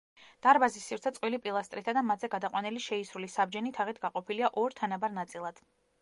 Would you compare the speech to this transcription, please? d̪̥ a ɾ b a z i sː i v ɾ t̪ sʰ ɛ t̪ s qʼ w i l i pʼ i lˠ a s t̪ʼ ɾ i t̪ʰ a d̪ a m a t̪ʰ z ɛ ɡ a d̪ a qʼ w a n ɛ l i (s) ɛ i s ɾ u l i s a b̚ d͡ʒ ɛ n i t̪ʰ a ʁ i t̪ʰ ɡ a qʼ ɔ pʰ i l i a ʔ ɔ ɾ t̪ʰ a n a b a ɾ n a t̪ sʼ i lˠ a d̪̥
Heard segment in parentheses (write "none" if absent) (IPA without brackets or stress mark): ʃ